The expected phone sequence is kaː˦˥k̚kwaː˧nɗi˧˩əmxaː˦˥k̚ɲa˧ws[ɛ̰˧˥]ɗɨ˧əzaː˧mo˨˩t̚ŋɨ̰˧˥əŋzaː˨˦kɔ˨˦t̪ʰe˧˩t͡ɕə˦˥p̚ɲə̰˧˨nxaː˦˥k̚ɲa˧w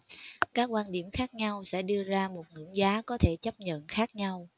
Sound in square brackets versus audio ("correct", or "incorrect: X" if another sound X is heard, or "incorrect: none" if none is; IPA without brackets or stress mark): correct